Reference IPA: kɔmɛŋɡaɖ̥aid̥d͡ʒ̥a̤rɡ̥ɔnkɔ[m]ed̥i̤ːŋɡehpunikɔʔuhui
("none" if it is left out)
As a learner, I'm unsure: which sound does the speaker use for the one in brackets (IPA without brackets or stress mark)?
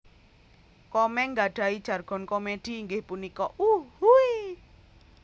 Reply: m